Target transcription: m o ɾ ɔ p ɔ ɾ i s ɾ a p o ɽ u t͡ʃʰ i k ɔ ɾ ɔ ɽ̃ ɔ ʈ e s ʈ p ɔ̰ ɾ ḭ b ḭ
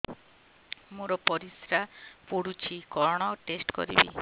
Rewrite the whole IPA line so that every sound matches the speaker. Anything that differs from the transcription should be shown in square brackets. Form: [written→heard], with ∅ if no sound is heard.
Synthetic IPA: m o ɾ ɔ p ɔ ɾ i s ɾ a p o ɽ u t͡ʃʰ i k ɔ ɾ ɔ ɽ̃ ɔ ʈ e s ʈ [p→k] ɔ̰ ɾ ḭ b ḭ